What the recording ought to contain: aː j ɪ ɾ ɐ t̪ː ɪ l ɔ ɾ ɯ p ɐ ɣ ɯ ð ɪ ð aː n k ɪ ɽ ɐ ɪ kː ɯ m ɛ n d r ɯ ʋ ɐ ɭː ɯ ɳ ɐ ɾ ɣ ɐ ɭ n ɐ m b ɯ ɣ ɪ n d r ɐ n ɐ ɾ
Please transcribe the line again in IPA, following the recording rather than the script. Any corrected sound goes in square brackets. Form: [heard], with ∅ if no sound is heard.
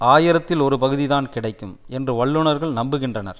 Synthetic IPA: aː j ɪ ɾ ɐ t̪ː ɪ l ɔ ɾ ɯ p ɐ ɣ ɯ ð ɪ ð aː n k ɪ ɽ ɐ ɪ kː ɯ m ɛ n d r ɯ ʋ ɐ ɭː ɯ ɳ ɐ ɾ ɣ ɐ ɭ n ɐ m b ɯ ɣ ɪ n d r ɐ n ɐ ɾ

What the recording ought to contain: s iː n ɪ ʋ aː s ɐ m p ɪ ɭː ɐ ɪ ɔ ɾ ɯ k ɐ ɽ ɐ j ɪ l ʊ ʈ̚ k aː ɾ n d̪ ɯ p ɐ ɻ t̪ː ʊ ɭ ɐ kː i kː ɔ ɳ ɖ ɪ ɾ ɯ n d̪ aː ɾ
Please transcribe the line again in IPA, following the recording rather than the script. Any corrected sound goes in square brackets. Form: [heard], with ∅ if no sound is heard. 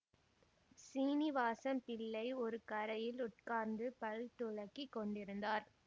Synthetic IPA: s iː n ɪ ʋ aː s ɐ m p ɪ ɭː ɐ ɪ ɔ ɾ ɯ k ɐ [ɾ] ɐ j ɪ l ʊ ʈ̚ k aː ɾ n d̪ ɯ p ɐ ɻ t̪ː ʊ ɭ ɐ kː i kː ɔ ɳ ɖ ɪ ɾ ɯ n d̪ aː ɾ

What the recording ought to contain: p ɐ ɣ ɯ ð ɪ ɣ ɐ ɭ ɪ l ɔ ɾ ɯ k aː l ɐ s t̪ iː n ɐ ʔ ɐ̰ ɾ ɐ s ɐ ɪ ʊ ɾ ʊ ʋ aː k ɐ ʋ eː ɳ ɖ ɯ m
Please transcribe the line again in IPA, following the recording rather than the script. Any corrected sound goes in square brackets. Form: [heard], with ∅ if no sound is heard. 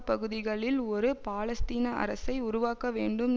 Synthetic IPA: p ɐ ɣ ɯ ð ɪ ɣ ɐ ɭ ɪ l ɔ ɾ ɯ [p] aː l ɐ s t̪ iː n ɐ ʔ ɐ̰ ɾ ɐ s ɐ ɪ ʊ ɾ ʊ ʋ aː k ɐ ʋ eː ɳ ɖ ɯ m

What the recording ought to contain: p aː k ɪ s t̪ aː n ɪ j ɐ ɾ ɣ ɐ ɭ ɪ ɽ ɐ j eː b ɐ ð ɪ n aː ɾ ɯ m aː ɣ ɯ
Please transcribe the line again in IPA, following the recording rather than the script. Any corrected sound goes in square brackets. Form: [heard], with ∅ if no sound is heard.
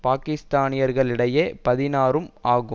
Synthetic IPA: p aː k ɪ s t̪ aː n ɪ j ɐ ɾ ɣ ɐ ɭ ɪ ɽ ɐ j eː [p] ɐ ð ɪ n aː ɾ ɯ m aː ɣ ɯ

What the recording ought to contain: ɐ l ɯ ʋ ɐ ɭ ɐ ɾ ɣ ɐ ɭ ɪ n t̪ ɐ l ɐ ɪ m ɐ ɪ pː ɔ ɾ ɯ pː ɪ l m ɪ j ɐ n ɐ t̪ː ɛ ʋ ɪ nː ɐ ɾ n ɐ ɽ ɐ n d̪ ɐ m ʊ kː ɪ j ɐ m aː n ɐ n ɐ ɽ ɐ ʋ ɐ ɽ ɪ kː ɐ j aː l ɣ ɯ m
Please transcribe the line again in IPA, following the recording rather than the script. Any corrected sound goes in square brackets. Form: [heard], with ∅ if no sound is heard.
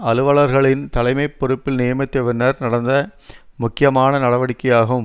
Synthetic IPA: ɐ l ɯ ʋ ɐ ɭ ɐ ɾ ɣ ɐ ɭ ɪ n t̪ ɐ l ɐ ɪ m ɐ ɪ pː ɔ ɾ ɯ pː ɪ l [n] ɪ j ɐ [m] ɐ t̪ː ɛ ʋ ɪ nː ɐ ɾ n ɐ ɽ ɐ n d̪ ɐ m ʊ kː ɪ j ɐ m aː n ɐ n ɐ ɽ ɐ ʋ ɐ ɽ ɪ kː ɐ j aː [∅] ɣ ɯ m

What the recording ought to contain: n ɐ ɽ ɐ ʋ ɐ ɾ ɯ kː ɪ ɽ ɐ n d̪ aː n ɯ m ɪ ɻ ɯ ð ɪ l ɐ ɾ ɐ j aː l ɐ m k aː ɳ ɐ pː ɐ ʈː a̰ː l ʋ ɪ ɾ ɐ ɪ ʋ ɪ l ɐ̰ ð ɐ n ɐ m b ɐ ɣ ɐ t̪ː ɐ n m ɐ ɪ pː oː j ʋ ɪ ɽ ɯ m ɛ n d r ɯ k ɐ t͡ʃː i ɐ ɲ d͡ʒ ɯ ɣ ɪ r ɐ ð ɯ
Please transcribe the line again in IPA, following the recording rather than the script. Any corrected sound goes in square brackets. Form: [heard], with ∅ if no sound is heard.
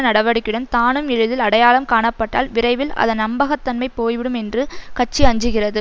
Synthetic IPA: n ɐ ɽ ɐ ʋ ɐ [ɽ] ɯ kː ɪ ɽ ɐ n [t̪] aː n ɯ m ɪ ɻ ɯ ð ɪ l ɐ [ɽ] ɐ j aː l ɐ m k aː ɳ ɐ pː ɐ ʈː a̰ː l ʋ ɪ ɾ ɐ ɪ ʋ ɪ l ɐ̰ ð ɐ n ɐ m b ɐ ɣ ɐ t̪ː ɐ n m ɐ ɪ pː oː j ʋ ɪ ɽ ɯ m ɛ n d r ɯ k ɐ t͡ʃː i ɐ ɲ d͡ʒ ɯ ɣ ɪ r ɐ ð ɯ

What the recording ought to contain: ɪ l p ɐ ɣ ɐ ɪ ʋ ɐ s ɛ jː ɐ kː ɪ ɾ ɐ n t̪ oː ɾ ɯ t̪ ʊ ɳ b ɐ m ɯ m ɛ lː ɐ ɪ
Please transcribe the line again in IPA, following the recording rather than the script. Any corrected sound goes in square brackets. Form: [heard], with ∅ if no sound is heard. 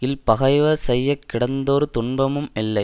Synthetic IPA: ɪ l p ɐ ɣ ɐ ɪ ʋ ɐ s ɛ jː ɐ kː ɪ [ɽ] ɐ n [d̪] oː ɾ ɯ t̪ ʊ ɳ b ɐ m ɯ m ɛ lː ɐ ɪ

